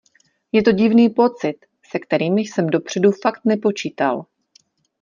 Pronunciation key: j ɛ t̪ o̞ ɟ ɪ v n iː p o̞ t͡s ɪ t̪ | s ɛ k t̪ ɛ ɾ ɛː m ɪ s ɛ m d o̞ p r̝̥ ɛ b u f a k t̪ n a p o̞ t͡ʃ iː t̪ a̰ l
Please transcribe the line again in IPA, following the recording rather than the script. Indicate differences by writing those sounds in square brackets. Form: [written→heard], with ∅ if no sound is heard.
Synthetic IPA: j ɛ t̪ o̞ ɟ ɪ v n iː p o̞ t͡s ɪ t̪ | s ɛ k t̪ ɛ ɾ [ɛː→iː] m ɪ s ɛ m d o̞ p r̝̥ ɛ [b→d] u f a k t̪ n [a→ɛ] p o̞ t͡ʃ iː t̪ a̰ l